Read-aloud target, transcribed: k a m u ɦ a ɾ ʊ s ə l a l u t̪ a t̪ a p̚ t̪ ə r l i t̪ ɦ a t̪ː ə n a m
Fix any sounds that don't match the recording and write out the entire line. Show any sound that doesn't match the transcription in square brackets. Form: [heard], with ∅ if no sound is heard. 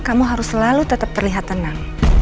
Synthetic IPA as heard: k a m u ɦ a ɾ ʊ s ə l a l u t̪ [ə] t̪ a p̚ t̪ ə r l i [∅] ɦ a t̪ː ə n a [ŋ]